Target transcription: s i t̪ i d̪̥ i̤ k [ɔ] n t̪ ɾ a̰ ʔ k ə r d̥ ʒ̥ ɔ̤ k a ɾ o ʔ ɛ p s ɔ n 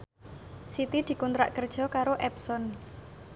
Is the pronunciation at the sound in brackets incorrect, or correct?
incorrect